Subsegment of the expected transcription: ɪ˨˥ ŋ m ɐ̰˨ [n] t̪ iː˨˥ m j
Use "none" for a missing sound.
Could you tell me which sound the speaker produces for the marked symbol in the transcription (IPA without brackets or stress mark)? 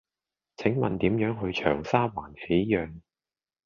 n